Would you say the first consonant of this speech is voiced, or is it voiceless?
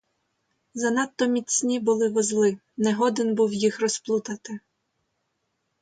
voiced